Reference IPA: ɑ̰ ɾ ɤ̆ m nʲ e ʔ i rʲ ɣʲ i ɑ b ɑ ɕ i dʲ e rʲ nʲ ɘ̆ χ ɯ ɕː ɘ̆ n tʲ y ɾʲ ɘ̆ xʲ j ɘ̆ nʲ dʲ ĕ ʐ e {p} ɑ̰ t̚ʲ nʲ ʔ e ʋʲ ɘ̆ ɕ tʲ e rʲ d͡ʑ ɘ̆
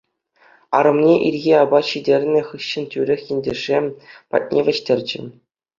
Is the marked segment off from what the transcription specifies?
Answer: no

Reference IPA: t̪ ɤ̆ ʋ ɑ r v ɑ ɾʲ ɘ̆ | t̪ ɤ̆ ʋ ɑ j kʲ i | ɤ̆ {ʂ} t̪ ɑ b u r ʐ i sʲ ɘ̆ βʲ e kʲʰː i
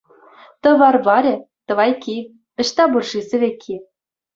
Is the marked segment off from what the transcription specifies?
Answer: yes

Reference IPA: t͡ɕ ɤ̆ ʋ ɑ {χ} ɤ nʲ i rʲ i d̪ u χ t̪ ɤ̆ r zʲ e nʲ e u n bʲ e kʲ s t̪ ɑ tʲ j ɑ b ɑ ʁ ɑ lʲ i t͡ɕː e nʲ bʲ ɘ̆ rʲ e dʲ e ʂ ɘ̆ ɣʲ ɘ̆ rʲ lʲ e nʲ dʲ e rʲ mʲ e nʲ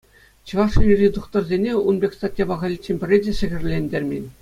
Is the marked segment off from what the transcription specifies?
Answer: yes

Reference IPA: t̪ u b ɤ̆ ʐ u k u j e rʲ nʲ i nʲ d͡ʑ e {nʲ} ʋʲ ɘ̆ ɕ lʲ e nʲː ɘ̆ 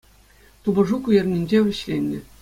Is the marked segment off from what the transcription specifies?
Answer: yes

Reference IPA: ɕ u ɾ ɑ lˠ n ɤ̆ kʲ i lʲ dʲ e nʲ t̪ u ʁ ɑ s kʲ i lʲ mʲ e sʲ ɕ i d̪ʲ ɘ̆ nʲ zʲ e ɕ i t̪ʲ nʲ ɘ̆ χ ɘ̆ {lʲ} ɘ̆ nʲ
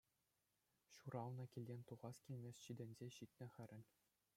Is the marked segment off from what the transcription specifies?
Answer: yes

